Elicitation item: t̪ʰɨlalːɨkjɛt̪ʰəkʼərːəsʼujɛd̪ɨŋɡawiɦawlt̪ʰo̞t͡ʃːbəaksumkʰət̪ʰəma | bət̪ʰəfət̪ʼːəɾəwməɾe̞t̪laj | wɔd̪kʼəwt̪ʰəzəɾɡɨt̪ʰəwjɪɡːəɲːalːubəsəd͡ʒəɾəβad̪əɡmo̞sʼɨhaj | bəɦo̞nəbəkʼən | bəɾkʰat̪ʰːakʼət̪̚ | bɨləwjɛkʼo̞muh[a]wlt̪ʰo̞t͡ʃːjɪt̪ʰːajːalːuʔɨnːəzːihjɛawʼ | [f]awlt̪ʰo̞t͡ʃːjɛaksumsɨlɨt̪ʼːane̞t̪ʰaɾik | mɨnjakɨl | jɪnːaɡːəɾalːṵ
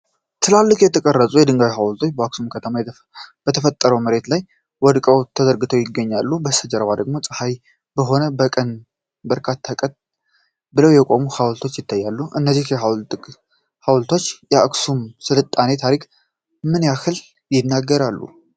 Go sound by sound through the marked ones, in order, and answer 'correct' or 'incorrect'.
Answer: correct, incorrect

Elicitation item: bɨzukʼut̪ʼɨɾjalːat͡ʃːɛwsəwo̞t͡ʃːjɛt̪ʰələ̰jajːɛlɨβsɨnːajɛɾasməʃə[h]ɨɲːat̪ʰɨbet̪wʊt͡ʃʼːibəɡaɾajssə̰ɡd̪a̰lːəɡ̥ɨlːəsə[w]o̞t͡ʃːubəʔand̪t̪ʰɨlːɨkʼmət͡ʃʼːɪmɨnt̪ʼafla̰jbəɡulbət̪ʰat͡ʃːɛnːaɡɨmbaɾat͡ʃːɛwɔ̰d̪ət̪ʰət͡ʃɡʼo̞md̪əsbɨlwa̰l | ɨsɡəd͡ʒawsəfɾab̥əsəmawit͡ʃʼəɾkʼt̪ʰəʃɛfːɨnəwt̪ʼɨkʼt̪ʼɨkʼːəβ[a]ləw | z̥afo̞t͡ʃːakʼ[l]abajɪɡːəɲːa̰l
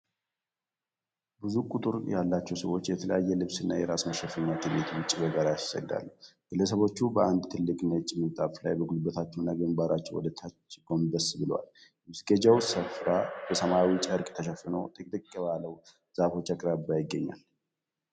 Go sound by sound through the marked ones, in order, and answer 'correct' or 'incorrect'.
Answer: incorrect, incorrect, correct, incorrect

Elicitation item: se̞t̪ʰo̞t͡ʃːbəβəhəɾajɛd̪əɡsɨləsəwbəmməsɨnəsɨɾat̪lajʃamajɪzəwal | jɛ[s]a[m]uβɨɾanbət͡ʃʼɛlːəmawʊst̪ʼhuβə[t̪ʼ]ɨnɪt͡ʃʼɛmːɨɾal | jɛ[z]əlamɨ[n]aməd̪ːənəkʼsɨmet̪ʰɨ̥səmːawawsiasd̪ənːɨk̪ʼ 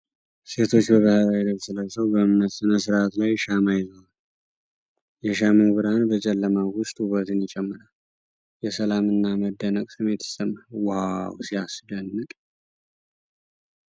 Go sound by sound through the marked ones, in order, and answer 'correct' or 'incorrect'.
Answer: incorrect, correct, incorrect, incorrect, incorrect

